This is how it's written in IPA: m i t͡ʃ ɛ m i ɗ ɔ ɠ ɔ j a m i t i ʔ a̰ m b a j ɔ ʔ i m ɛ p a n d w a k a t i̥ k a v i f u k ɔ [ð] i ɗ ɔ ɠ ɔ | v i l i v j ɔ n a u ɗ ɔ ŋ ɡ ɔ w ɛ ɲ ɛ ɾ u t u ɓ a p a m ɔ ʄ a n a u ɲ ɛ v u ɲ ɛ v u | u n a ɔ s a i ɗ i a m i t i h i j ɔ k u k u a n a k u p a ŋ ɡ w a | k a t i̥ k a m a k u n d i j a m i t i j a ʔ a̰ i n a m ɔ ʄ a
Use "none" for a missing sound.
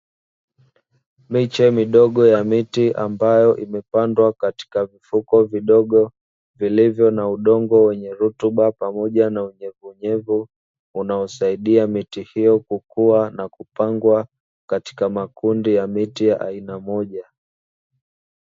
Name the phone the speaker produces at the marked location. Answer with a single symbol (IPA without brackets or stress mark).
v